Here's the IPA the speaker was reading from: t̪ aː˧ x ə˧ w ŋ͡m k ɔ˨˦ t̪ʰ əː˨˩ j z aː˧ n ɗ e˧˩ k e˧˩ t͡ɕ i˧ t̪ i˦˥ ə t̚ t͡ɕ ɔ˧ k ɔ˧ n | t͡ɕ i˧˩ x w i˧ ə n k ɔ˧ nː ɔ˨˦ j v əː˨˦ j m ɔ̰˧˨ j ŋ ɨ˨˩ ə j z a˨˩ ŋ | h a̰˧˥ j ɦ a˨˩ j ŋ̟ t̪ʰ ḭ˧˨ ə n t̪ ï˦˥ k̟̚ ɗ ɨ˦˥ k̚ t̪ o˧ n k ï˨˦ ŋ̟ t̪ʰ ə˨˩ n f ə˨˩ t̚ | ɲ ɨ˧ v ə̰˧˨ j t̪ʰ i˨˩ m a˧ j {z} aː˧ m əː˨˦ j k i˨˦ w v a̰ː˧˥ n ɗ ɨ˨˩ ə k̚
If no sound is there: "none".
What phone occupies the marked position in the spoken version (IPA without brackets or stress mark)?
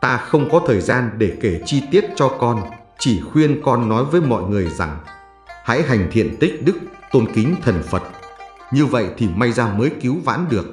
z